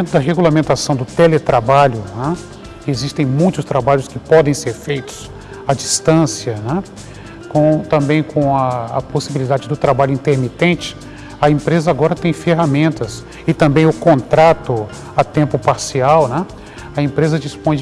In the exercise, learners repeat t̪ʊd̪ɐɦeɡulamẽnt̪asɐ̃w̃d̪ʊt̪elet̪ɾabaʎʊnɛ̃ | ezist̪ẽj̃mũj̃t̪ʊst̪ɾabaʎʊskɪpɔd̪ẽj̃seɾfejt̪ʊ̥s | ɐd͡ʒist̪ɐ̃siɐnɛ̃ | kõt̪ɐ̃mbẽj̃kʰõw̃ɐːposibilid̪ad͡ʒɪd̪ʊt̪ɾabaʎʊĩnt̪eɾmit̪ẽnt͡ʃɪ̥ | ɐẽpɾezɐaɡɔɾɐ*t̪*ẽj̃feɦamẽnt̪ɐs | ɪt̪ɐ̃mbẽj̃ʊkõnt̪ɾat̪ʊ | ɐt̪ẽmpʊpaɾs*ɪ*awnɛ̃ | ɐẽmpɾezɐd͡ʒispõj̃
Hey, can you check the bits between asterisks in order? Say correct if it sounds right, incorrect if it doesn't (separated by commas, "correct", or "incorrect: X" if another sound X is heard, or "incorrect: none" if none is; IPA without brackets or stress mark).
correct, incorrect: i